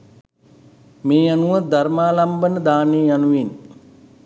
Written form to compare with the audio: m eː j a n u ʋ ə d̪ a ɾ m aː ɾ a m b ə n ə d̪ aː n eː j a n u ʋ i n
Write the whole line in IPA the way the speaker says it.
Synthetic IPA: m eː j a n u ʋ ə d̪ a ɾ m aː l a m b ə n ə d̪ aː n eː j a n u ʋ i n